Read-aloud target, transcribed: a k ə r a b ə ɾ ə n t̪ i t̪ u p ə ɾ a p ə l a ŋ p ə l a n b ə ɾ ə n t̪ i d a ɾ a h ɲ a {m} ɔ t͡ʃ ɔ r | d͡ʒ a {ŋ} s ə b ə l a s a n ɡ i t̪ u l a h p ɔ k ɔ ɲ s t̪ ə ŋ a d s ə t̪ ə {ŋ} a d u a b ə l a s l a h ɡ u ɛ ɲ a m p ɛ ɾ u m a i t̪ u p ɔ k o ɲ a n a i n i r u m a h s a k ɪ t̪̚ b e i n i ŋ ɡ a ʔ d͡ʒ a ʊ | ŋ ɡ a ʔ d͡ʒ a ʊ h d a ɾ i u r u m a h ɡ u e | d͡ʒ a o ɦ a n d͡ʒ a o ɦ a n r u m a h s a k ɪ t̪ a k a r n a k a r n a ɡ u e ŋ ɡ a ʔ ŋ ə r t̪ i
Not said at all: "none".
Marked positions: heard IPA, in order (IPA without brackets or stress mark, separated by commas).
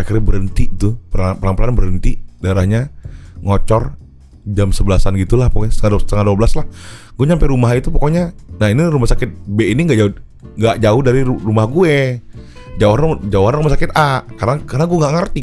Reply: ŋ, m, ŋ